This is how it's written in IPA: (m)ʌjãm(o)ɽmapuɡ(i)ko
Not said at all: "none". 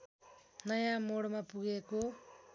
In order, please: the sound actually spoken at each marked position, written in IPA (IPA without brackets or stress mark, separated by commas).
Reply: n, o, e